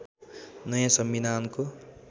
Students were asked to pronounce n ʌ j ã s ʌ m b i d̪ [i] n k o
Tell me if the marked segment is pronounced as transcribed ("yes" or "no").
no